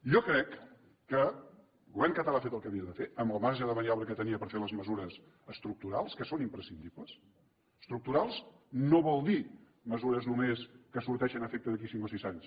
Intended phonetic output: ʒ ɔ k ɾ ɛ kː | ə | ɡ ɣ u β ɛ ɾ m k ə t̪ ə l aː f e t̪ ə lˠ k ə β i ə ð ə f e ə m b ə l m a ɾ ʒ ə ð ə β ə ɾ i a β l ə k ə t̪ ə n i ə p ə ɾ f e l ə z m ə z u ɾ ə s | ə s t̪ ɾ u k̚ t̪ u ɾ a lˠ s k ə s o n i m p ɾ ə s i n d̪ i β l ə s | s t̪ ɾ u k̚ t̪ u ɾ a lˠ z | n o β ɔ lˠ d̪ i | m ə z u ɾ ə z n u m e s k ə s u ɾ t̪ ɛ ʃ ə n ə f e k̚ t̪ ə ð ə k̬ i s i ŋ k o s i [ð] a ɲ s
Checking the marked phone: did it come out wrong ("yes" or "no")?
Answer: yes